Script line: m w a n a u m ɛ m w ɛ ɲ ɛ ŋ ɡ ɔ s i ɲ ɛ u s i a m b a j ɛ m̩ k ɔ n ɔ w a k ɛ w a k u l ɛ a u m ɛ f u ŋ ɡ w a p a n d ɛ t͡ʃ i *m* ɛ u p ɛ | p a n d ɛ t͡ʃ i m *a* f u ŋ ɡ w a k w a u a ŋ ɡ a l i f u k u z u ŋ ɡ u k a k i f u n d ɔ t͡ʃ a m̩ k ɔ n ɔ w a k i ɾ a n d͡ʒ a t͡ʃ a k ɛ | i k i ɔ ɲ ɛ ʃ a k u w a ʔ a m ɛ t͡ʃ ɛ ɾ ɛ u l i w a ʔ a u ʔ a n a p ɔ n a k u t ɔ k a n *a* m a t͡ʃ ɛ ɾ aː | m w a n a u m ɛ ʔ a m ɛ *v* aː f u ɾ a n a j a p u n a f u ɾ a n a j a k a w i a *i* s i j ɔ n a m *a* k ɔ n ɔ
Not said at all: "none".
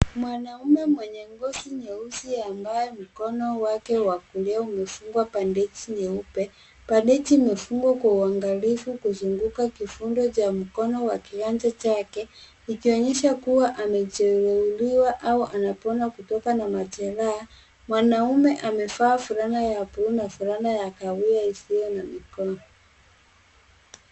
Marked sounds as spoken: ɲ, ɛ, a, f, i, i

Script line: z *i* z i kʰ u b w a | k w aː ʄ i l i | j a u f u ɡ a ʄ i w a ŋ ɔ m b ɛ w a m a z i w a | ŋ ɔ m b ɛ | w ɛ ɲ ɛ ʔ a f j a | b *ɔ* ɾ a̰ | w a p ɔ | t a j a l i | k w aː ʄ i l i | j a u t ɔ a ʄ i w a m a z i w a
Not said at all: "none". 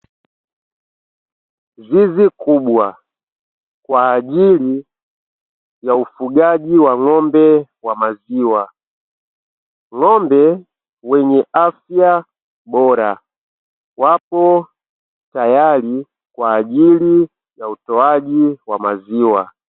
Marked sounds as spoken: i, ɔ

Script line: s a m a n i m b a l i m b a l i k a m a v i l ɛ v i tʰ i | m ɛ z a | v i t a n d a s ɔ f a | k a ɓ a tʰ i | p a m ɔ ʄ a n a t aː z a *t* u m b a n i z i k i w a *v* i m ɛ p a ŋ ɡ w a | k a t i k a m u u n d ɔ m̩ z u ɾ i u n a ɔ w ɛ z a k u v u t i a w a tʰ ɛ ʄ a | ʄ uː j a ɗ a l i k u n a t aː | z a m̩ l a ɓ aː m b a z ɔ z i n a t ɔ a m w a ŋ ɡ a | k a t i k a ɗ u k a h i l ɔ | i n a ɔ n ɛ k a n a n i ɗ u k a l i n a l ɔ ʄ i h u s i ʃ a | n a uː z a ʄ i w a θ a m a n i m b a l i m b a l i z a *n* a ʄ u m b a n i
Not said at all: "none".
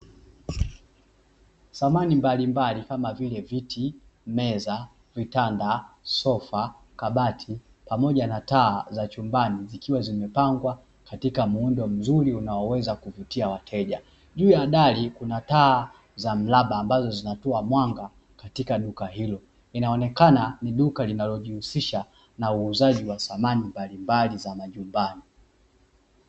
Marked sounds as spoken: t͡ʃ, z, m

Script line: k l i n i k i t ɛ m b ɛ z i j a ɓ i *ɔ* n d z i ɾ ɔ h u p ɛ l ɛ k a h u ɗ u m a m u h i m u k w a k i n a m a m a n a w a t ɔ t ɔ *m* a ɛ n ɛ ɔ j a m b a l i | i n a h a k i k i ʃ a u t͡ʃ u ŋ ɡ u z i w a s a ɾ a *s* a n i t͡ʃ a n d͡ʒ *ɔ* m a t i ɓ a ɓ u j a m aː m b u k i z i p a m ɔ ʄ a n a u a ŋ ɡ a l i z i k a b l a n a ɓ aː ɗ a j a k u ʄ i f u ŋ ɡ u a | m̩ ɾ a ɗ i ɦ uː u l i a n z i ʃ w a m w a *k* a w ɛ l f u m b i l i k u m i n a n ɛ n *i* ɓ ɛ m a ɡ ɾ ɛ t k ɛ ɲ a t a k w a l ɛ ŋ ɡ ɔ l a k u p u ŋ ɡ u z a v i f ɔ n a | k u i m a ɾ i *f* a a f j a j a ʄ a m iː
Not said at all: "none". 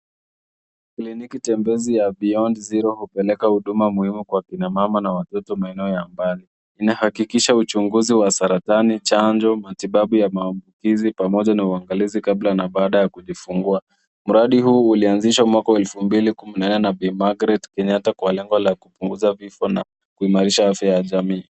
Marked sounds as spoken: ɔ, m, t, ɔ, k, a, ʃ

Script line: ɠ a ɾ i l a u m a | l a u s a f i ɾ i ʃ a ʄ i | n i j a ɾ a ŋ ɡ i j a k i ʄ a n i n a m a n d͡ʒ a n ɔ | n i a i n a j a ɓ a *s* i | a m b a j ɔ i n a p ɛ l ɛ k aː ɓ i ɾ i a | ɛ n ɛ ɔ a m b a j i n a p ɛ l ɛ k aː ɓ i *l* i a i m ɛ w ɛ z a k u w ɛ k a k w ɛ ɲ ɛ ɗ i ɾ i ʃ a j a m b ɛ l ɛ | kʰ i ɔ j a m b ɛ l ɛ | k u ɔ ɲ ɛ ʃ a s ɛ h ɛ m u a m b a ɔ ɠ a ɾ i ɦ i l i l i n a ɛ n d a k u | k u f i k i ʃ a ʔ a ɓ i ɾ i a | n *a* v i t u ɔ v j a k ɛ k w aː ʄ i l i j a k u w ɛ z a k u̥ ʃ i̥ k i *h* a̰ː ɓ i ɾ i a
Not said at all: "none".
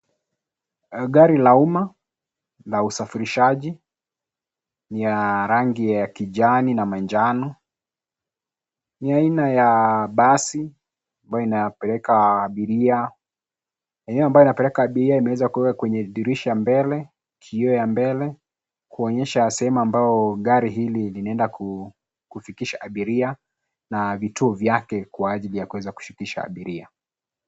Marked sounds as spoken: s, ɾ, a, ʃ

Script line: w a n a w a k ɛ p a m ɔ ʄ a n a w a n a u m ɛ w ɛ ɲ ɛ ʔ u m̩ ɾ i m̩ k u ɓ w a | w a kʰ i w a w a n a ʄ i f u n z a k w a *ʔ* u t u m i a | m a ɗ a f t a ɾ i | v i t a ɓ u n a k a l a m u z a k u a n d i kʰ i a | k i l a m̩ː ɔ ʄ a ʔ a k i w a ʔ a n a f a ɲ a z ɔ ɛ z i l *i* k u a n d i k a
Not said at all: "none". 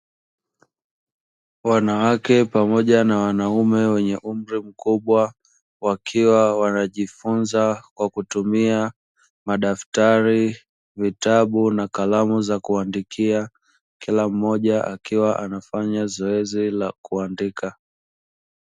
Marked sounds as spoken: k, a

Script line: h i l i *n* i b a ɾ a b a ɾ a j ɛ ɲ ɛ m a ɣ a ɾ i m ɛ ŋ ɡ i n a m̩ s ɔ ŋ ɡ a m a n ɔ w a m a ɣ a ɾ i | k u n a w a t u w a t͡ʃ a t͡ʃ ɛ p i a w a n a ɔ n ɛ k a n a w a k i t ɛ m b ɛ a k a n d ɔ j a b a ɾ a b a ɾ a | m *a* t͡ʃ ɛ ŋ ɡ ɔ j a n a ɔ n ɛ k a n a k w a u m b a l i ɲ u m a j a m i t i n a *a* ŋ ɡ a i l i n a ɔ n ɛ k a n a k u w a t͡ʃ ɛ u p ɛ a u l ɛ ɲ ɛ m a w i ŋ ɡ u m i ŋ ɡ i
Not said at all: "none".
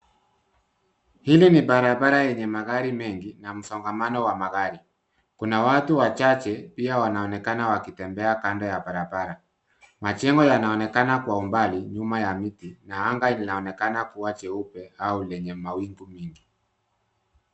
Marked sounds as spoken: n, a, a

